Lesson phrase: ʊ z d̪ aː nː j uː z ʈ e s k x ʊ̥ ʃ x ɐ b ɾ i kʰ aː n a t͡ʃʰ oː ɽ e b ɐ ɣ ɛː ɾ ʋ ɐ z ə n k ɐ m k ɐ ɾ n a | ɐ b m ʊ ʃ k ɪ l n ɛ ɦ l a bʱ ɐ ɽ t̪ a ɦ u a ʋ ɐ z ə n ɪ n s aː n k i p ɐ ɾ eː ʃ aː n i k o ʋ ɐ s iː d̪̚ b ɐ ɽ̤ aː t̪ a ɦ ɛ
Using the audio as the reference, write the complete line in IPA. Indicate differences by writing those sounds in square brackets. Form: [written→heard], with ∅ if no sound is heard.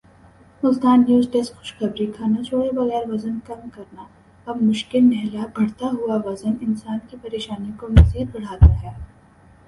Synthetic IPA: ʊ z d̪ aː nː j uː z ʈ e s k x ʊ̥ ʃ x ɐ b ɾ i kʰ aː n a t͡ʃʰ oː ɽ e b ɐ ɣ ɛː ɾ ʋ ɐ z ə n k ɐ m k ɐ ɾ n a | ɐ b m ʊ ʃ k ɪ l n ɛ ɦ l a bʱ ɐ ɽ t̪ a ɦ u a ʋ ɐ z ə n ɪ n s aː n k i p ɐ ɾ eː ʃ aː n i k o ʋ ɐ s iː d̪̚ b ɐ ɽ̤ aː t̪ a ɦ ɛ